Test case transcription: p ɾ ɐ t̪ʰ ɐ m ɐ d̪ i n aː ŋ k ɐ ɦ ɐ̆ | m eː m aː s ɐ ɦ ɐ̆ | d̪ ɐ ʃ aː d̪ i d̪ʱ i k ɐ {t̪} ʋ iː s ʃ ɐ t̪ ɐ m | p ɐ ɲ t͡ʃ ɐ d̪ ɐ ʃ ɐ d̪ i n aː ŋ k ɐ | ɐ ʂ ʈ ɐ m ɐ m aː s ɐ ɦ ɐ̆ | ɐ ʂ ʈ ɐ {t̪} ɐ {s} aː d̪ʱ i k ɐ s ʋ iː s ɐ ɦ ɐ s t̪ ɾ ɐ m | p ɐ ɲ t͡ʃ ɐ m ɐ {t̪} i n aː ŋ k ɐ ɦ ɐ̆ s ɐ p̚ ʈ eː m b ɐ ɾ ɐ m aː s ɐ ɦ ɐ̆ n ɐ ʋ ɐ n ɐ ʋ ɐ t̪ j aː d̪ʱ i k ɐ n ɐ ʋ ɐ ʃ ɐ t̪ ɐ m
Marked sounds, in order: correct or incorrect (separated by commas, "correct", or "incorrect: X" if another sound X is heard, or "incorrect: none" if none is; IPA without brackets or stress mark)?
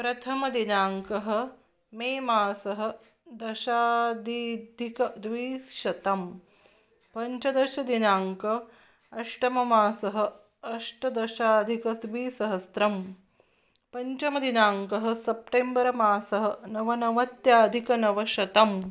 incorrect: d̪, incorrect: d̪, incorrect: ʃ, incorrect: d̪